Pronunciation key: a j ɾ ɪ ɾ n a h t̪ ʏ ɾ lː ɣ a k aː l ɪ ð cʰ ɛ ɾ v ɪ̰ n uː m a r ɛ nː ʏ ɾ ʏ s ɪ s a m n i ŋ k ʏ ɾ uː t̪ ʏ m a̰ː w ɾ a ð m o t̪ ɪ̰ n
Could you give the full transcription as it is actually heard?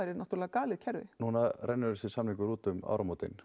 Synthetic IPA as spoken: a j ɾ ɪ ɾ n a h t̪ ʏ ɾ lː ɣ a k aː l ɪ ð cʰ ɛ ɾ v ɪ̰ n uː n a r ɛ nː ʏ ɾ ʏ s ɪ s a m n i ŋ k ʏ ɾ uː t̪ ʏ m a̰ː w ɾ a m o t̪ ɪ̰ n